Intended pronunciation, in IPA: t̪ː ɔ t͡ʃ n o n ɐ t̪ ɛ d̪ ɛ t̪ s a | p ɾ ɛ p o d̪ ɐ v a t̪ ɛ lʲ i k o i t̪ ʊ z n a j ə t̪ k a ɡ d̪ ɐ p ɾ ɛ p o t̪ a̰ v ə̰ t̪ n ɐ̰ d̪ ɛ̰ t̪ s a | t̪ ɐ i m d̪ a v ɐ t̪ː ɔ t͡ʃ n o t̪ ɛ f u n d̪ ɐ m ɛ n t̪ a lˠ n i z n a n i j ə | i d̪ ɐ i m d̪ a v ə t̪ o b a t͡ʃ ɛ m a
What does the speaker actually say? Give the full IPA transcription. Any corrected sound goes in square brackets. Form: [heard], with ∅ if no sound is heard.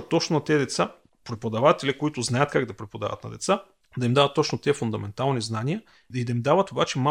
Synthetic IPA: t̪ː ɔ t͡ʃ n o n ɐ t̪ ɛ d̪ ɛ t̪ s a | p ɾ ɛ p o d̪ ɐ v a t̪ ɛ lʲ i k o i t̪ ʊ z n a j ə t̪ k a ɡ d̪ ɐ p ɾ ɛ p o [d̪] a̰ v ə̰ t̪ n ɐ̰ d̪ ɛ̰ t̪ s a | [d̪] ɐ i m d̪ a v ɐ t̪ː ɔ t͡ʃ n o t̪ ɛ f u n d̪ ɐ m ɛ n t̪ a lˠ n i z n a n i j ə | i d̪ ɐ i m d̪ a v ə t̪ o b a t͡ʃ ɛ m a